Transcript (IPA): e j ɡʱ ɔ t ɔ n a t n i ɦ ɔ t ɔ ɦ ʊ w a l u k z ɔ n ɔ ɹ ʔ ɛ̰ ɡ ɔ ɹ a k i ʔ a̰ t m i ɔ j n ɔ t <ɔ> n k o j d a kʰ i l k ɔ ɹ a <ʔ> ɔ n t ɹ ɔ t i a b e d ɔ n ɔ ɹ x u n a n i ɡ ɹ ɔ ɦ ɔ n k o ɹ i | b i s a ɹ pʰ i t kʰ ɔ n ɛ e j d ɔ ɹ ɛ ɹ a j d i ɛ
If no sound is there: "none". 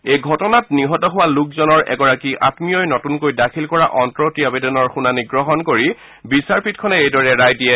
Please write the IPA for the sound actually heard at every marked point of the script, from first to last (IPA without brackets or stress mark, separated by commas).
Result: u, ʔ